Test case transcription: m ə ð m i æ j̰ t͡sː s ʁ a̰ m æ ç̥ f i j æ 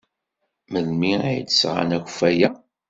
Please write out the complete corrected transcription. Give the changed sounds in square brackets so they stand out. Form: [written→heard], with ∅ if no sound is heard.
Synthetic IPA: m ə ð m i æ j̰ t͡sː s ʁ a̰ [m→n] æ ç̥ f [i→æ] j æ